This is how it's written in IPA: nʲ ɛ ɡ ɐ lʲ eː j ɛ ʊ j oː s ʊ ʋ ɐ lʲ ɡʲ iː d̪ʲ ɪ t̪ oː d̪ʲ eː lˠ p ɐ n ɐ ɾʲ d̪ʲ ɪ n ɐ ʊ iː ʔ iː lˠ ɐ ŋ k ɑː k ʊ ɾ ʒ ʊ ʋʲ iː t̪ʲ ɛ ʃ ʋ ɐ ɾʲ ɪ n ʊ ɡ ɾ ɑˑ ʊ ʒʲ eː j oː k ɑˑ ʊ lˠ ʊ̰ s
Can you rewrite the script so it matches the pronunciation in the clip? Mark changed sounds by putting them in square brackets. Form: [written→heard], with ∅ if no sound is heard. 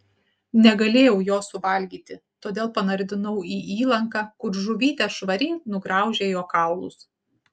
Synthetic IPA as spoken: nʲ ɛ ɡ ɐ lʲ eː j ɛ ʊ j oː s ʊ ʋ ɐ lʲ ɡʲ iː [d̪ʲ→t̪ʲ] ɪ t̪ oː d̪ʲ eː lˠ p ɐ n ɐ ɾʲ d̪ʲ ɪ n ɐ ʊ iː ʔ iː lˠ ɐ ŋ k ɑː k ʊ ɾ ʒ ʊ ʋʲ iː t̪ʲ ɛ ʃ ʋ ɐ ɾʲ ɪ n ʊ ɡ ɾ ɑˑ ʊ ʒʲ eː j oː k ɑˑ ʊ lˠ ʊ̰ s